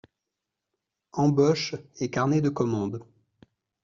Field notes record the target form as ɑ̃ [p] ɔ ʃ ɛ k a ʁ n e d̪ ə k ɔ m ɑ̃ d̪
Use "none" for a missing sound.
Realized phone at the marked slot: b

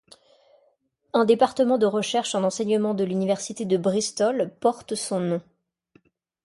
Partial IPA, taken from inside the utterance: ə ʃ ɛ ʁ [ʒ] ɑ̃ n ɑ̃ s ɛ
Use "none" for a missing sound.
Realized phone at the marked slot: ʃ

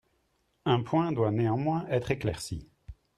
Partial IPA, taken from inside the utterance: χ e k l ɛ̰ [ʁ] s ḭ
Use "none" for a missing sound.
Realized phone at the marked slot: ʁ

